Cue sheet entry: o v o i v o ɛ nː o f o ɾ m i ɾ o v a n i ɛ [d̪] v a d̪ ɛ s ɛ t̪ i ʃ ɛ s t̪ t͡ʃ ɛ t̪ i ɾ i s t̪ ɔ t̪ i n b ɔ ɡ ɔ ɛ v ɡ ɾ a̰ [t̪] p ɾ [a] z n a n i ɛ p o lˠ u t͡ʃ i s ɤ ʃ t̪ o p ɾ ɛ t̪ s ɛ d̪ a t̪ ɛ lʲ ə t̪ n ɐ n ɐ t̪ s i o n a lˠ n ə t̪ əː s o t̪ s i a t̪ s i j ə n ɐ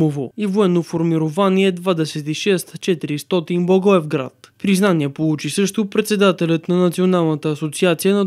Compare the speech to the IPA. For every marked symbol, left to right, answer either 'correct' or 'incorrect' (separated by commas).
correct, correct, incorrect